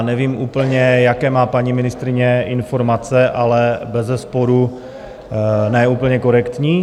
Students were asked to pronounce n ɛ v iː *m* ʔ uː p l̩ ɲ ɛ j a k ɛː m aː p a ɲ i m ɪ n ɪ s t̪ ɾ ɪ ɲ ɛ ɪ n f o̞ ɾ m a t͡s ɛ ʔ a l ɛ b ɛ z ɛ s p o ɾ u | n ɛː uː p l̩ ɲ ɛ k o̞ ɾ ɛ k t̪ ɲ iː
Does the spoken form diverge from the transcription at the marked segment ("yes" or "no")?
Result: no